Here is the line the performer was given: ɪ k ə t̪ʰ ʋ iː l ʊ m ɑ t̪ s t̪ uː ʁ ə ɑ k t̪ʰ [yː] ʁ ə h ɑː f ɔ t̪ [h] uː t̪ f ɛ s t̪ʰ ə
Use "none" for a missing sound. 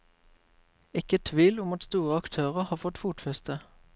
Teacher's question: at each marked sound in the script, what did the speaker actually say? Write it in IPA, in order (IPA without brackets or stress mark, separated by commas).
øː, f